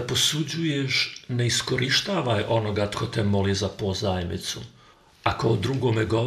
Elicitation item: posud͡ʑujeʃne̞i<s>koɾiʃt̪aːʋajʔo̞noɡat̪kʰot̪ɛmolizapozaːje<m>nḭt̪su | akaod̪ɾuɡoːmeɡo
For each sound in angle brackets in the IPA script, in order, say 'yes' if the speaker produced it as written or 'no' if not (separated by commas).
yes, yes